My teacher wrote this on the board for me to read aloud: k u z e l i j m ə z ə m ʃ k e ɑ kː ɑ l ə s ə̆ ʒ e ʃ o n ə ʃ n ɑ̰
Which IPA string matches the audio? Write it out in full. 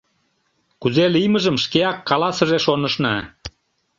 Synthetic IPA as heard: k u z e l i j m ə ʒ ə m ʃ k e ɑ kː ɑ l ɑ s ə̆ ʒ e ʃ o n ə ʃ n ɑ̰